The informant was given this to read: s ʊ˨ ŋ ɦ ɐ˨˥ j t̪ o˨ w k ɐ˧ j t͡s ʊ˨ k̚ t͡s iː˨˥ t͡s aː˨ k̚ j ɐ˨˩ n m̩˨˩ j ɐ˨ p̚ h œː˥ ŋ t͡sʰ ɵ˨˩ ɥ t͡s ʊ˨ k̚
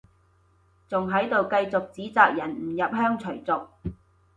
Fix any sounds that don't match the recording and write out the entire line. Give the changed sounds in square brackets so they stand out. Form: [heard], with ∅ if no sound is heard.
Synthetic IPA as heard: [t͡s] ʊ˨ ŋ ɦ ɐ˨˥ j t̪ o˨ w k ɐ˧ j t͡s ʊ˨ k̚ t͡s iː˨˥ t͡s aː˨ k̚ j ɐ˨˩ n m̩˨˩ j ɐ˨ p̚ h œː˥ ŋ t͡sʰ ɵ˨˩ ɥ t͡s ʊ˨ k̚

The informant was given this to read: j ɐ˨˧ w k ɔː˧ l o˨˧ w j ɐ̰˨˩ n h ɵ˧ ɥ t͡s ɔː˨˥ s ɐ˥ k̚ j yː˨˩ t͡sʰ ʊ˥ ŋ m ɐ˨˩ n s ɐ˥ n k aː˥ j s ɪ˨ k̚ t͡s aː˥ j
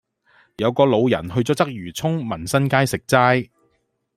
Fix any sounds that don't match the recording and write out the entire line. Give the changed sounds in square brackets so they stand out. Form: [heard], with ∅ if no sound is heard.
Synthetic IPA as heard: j ɐ˨˧ w k ɔː˧ l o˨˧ w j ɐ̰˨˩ n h ɵ˧ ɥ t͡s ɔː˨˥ [t͡s] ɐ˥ k̚ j yː˨˩ t͡sʰ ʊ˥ ŋ m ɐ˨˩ n s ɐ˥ n k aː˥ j s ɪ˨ k̚ t͡s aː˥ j

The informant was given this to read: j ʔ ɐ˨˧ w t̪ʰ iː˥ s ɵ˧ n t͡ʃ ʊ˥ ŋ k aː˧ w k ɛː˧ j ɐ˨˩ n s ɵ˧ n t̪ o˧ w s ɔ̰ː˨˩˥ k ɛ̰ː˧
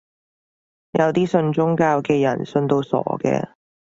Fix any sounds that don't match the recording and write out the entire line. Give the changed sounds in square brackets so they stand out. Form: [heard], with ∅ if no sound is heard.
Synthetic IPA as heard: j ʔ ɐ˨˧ w [t̪] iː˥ s ɵ˧ n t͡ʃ ʊ˥ ŋ k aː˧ w k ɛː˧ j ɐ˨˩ n s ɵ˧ n t̪ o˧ w s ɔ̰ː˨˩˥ k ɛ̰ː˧

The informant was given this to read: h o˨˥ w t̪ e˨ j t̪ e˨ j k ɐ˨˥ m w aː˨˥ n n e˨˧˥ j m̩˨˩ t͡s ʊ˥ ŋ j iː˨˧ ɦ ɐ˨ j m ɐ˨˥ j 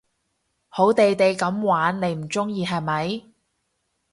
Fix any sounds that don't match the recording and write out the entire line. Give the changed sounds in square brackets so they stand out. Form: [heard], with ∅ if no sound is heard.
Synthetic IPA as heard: h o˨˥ w t̪ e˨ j t̪ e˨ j k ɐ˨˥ m w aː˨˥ n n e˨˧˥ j m̩˨˩ t͡s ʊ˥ ŋ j iː˨˧ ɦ ɐ˨ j m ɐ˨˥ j

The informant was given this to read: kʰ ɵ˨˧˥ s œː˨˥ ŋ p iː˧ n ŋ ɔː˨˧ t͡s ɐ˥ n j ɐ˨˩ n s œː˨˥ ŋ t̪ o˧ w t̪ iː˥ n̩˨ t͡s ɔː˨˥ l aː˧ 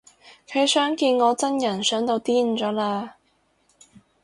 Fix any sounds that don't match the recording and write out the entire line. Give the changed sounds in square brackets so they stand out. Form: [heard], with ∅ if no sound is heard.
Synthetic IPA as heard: kʰ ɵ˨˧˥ s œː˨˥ ŋ [k] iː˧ n ŋ ɔː˨˧ t͡s ɐ˥ n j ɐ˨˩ n s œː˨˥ ŋ t̪ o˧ w t̪ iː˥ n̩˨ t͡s ɔː˨˥ l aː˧

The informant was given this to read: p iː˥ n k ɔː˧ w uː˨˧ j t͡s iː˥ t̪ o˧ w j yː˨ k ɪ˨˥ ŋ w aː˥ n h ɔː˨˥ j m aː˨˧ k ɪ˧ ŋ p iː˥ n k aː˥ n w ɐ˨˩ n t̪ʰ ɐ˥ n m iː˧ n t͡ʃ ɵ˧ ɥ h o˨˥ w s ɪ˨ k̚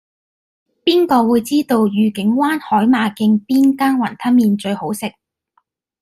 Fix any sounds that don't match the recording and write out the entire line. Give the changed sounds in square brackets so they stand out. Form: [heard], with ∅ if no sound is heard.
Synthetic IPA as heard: p iː˥ n k ɔː˧ w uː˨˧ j t͡s iː˥ t̪ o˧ w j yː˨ k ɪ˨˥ ŋ w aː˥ n h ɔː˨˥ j m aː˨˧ k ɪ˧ ŋ p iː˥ n k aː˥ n w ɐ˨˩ n t̪ʰ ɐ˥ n m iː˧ n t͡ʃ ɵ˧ ɥ h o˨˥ w s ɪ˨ k̚

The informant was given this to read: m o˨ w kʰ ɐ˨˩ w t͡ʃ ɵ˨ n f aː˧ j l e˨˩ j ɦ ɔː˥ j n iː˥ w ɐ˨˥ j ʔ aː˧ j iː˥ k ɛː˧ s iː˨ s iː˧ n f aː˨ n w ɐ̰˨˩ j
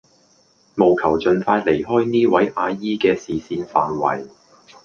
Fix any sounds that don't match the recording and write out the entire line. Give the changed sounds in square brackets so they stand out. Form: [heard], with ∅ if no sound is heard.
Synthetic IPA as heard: m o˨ w kʰ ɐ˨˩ w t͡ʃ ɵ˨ n f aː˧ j l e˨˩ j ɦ ɔː˥ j n iː˥ w ɐ˨˥ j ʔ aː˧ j iː˥ k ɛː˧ s iː˨ s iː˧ n f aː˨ n w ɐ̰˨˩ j

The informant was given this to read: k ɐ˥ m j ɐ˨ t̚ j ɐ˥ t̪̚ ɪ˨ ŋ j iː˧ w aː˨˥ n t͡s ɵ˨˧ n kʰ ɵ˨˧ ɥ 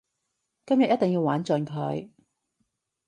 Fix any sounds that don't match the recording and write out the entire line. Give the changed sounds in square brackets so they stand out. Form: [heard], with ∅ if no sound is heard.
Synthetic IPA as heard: k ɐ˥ m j ɐ˨ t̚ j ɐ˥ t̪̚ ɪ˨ ŋ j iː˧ w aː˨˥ n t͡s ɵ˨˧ n kʰ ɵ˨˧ ɥ

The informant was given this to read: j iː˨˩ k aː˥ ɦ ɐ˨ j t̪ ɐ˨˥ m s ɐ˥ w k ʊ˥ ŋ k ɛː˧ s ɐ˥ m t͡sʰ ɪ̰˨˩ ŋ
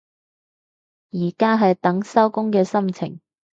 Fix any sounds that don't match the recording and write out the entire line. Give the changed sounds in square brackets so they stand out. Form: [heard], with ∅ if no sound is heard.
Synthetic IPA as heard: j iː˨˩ k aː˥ ɦ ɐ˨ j t̪ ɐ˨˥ [ŋ] s ɐ˥ w k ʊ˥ ŋ k ɛː˧ s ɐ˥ m t͡sʰ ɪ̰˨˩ ŋ

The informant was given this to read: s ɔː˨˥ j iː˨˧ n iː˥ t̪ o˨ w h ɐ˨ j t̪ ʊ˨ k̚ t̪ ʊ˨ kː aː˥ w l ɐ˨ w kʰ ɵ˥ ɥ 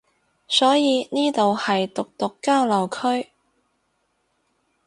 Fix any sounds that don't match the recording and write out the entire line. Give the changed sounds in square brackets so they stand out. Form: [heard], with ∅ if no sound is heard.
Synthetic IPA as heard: s ɔː˨˥ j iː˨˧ n iː˥ t̪ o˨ w h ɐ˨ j t̪ ʊ˨ k̚ t̪ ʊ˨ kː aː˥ w l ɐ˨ w kʰ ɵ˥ ɥ

